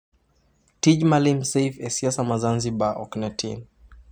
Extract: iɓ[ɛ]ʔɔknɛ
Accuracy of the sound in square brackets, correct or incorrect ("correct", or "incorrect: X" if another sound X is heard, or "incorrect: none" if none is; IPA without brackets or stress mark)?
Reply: incorrect: a